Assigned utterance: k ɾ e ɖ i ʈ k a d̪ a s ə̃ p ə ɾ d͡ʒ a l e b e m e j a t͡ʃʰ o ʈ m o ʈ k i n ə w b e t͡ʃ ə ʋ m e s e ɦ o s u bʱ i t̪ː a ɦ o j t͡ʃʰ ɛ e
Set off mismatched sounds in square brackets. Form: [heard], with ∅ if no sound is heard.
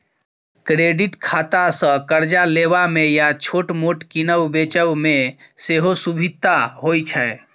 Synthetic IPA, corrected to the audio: k ɾ e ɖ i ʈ [kʰ] a [t̪] a s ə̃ [k] ə ɾ d͡ʒ a l e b [a] m e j a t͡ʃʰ o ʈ m o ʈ k i n ə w b e t͡ʃ ə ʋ m e s e ɦ o s u bʱ i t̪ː a ɦ o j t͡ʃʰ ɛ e